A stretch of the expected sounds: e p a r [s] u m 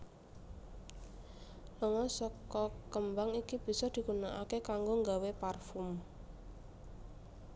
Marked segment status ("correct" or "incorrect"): incorrect